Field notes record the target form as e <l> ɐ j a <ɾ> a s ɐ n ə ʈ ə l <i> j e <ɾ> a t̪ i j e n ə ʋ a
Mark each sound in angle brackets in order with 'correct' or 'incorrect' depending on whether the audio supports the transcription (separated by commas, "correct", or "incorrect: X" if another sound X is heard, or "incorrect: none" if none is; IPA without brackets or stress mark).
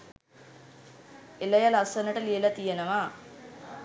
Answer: correct, incorrect: l, correct, incorrect: l